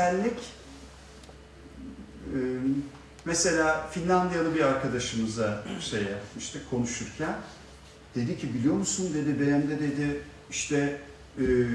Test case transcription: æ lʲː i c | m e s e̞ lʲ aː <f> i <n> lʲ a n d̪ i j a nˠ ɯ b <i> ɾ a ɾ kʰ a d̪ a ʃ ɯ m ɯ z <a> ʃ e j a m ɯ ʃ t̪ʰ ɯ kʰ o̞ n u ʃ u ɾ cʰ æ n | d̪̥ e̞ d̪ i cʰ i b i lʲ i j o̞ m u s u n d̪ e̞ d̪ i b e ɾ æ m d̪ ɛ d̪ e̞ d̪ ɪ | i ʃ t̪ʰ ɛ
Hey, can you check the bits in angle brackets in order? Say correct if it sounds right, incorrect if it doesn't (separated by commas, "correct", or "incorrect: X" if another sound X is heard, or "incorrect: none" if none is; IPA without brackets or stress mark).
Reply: correct, correct, correct, correct